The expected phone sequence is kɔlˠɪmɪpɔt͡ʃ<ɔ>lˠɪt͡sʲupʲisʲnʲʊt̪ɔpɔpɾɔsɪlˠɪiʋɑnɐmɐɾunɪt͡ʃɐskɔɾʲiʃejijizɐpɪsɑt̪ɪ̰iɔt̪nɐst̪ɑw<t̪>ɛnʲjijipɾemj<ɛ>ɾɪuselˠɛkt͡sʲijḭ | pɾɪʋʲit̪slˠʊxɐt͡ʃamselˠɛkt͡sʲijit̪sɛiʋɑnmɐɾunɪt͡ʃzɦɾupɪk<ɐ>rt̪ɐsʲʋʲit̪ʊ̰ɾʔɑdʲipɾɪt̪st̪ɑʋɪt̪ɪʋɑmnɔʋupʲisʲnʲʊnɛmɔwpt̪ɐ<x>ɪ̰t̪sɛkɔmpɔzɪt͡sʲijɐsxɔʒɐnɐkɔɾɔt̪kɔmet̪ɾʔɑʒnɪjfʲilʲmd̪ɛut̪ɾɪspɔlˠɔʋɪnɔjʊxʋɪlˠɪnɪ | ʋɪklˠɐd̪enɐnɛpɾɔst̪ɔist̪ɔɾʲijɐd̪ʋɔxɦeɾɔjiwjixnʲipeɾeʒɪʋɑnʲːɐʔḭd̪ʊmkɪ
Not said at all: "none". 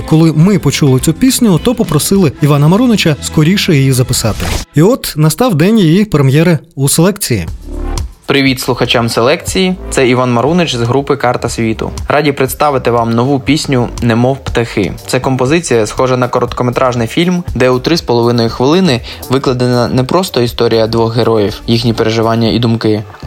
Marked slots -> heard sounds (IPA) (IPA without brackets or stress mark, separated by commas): u, d̪, ɛ, ɑ, x